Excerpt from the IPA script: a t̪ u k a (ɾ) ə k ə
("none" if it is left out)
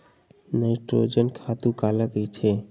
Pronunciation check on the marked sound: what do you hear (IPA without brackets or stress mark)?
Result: l